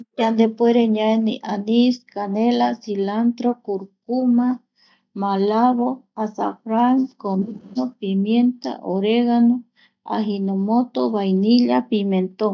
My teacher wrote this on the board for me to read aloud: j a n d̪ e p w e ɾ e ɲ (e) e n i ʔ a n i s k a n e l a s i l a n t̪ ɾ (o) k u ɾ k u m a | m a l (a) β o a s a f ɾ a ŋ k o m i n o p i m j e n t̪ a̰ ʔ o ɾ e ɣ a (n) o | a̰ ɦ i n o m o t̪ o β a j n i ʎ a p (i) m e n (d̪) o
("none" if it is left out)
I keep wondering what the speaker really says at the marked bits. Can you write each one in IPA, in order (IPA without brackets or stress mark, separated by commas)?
a, o, a, n, i, t̪